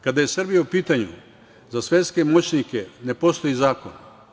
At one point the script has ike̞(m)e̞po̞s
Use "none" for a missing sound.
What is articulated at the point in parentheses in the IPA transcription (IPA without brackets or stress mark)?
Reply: n